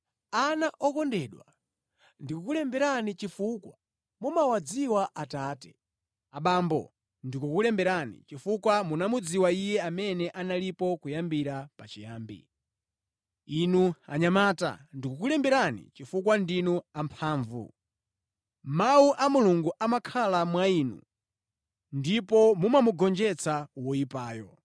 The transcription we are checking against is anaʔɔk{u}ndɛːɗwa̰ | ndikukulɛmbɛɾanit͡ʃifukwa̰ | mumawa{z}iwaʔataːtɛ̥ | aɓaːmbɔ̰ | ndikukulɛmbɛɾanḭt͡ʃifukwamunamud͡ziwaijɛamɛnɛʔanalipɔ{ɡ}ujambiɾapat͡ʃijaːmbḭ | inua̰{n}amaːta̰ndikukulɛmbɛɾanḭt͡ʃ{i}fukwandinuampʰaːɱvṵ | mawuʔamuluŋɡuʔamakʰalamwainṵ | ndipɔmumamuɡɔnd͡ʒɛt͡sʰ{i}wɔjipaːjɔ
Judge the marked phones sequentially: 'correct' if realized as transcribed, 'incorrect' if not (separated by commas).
incorrect, incorrect, incorrect, incorrect, correct, incorrect